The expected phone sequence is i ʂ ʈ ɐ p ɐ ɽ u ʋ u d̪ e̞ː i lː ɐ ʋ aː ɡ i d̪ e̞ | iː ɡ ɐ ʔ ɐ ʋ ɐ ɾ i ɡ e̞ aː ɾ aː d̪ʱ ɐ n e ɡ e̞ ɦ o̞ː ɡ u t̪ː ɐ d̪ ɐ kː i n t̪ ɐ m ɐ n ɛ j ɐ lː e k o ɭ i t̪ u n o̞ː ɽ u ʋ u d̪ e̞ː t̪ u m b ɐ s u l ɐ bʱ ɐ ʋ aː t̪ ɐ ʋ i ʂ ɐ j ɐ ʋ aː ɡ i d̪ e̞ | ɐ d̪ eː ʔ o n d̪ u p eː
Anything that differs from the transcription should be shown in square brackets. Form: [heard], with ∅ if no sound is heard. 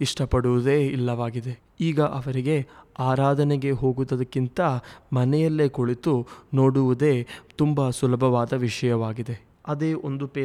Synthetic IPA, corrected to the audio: i ʂ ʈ ɐ p ɐ ɽ u ʋ u d̪ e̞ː i lː ɐ ʋ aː ɡ i d̪ e̞ | iː ɡ ɐ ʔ ɐ ʋ ɐ ɾ i ɡ e̞ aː ɾ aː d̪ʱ ɐ n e ɡ e̞ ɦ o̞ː ɡ u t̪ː ɐ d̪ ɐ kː i n t̪ ɐ m ɐ n ɛ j ɐ lː e k o ɭ i t̪ u n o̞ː ɽ u ʋ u d̪ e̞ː t̪ u m b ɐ s u l ɐ bʱ ɐ ʋ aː [d̪] ɐ ʋ i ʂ ɐ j ɐ ʋ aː ɡ i d̪ e̞ | ɐ d̪ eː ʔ o n d̪ u p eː